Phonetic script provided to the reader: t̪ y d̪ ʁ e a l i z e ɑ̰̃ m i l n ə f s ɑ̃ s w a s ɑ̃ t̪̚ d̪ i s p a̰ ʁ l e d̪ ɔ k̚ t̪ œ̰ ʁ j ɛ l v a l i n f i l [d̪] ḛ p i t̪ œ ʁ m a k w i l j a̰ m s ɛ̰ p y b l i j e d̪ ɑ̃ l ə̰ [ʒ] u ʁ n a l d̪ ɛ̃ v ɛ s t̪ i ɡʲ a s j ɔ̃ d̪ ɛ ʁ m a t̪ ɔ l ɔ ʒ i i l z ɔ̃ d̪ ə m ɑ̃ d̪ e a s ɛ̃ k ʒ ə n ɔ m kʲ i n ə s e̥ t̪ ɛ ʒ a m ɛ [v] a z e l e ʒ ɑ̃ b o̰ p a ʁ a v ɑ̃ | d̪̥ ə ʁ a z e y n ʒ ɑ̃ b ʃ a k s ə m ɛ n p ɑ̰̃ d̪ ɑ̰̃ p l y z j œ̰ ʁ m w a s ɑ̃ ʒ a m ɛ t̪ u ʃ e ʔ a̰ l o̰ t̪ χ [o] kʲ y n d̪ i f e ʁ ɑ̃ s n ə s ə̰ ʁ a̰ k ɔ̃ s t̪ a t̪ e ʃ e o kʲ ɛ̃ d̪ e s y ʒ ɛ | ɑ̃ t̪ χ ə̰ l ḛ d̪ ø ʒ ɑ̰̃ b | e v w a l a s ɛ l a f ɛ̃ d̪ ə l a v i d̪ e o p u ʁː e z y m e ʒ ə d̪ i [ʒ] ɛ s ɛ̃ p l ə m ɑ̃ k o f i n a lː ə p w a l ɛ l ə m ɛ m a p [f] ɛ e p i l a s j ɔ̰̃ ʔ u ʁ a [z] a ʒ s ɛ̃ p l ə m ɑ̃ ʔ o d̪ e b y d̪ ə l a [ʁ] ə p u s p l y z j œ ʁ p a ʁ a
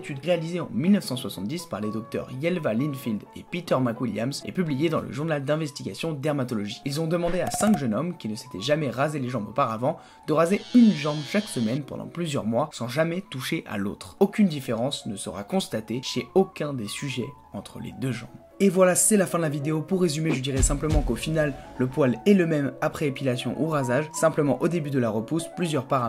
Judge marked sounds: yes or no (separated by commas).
yes, yes, no, yes, no, no, yes, yes